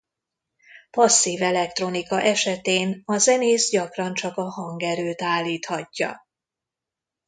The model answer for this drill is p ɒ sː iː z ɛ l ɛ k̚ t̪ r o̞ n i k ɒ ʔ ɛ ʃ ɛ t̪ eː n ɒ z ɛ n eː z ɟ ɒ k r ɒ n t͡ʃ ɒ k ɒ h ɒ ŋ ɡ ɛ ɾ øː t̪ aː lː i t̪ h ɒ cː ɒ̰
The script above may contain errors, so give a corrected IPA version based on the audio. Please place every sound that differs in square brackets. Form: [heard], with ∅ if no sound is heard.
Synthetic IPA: p ɒ sː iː [v] ɛ l ɛ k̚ t̪ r o̞ n i k ɒ ʔ ɛ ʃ ɛ t̪ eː n ɒ z ɛ n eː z ɟ ɒ k r ɒ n t͡ʃ ɒ k ɒ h ɒ ŋ ɡ ɛ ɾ øː t̪ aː lː [iː] t̪ h ɒ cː ɒ̰